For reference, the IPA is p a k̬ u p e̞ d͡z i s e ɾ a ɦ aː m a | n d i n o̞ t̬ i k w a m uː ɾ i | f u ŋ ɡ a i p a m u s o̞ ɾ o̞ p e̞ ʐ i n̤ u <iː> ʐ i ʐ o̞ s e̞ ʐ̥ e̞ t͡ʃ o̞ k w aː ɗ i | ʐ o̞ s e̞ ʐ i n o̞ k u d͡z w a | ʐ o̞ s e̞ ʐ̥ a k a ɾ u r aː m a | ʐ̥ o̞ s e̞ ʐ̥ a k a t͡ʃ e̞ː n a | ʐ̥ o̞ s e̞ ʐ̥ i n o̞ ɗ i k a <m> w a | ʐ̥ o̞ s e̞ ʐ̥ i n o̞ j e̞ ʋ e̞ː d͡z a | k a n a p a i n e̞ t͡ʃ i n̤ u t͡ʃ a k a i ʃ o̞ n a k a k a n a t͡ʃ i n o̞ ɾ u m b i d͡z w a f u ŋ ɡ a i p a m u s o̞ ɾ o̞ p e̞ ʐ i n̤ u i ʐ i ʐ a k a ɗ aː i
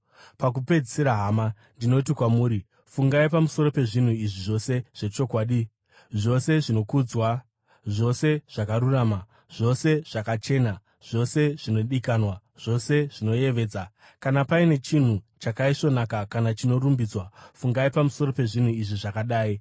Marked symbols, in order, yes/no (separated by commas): no, no